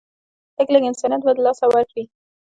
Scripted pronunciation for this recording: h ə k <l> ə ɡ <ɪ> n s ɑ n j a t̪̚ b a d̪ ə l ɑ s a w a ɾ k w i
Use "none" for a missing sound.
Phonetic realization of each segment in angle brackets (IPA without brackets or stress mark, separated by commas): l, ɪ